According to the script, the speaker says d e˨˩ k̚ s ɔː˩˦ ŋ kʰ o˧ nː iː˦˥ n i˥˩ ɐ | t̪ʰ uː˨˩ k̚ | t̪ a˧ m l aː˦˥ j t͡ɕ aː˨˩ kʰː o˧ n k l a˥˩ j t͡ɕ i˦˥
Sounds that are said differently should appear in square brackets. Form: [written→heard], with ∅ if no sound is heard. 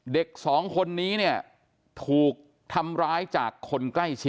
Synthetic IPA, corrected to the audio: d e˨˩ k̚ s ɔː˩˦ ŋ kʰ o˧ nː iː˦˥ n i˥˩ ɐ | t̪ʰ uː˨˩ k̚ | [t̪→t̪ʰ] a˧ m [l→ɾ] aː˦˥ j t͡ɕ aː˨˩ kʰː o˧ n k l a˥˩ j [t͡ɕ→t͡ɕʰ] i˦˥